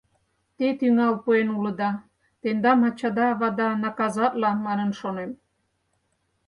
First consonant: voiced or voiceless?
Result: voiceless